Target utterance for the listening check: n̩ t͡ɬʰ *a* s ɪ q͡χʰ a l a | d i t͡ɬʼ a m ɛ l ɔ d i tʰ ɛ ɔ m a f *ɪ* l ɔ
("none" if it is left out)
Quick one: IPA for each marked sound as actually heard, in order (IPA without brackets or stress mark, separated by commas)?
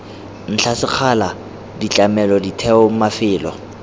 a, ɪː